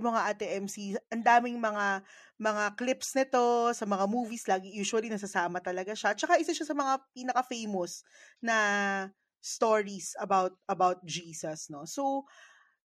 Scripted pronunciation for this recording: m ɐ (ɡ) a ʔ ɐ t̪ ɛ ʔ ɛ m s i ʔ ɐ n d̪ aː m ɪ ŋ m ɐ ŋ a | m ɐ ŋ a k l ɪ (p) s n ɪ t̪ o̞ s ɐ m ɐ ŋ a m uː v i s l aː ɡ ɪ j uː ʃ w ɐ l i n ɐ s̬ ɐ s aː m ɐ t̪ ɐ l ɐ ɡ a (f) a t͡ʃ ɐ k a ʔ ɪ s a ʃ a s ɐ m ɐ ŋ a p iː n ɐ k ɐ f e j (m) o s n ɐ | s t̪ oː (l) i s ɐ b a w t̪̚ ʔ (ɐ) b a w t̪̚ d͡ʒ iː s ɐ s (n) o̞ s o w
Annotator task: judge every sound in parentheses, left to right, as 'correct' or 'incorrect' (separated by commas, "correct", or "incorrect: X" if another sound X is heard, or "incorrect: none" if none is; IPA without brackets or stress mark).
incorrect: ŋ, correct, incorrect: ʃ, correct, incorrect: ɹ, correct, correct